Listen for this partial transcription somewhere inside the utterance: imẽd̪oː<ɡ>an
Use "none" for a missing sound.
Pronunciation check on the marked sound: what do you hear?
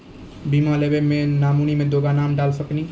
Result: ɡ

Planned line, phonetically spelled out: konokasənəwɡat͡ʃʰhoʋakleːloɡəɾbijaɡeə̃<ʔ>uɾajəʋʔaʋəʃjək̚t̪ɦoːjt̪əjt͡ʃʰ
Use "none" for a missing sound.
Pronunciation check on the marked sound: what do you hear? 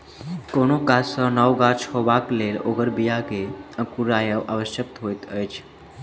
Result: k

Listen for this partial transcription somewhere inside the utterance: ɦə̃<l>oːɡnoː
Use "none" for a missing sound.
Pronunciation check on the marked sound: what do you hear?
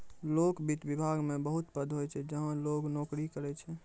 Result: l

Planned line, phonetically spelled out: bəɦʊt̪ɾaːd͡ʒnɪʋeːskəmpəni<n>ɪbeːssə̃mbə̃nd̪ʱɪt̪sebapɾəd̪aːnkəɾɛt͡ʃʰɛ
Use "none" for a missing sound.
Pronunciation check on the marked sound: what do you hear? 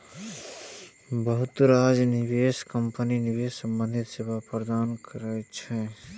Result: n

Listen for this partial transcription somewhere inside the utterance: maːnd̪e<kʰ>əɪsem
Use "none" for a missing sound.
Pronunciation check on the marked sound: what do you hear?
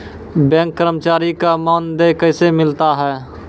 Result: k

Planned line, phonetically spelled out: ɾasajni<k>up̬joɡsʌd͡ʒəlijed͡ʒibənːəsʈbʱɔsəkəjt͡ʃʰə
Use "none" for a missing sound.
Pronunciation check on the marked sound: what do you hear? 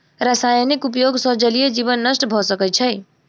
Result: k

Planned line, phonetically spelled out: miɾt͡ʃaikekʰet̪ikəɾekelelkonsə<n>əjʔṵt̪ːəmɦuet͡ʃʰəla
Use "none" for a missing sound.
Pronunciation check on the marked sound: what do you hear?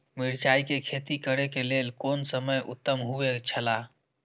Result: m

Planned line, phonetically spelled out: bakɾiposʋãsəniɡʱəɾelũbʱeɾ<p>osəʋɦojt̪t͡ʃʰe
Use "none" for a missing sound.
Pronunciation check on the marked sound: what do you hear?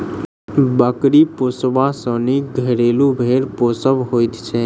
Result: p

